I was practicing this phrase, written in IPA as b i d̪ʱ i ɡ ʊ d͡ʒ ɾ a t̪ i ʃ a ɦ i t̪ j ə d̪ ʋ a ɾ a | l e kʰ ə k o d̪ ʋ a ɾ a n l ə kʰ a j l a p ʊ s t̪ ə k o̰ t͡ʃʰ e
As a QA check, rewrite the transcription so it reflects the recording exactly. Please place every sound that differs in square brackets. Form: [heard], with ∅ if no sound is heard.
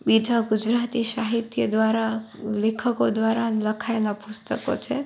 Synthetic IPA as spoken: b i d̪ʱ [a] ɡ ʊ d͡ʒ ɾ a t̪ i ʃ a ɦ i t̪ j ə d̪ ʋ a ɾ a | l e kʰ ə k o d̪ ʋ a ɾ a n l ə kʰ a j l a p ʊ s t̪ ə k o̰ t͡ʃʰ e